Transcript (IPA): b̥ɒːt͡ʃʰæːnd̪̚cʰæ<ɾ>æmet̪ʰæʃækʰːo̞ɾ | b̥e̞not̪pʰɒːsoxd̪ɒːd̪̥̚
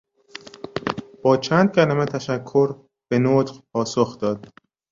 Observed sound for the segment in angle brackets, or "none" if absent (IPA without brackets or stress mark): l